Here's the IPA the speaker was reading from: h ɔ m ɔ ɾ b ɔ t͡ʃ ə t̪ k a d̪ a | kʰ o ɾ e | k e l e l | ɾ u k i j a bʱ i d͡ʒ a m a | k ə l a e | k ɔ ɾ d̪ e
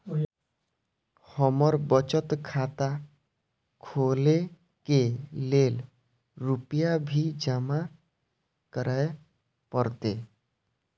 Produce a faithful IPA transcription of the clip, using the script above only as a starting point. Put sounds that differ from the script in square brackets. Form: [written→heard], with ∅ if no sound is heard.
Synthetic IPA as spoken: h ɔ m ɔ ɾ b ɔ t͡ʃ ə t̪ [k→kʰ] a [d̪→t̪] a | kʰ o [ɾ→l] e | k e l e l | ɾ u [k→p] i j a bʱ i d͡ʒ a m a | k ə [l→ɾ] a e | [k→p] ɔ ɾ [d̪→t̪] e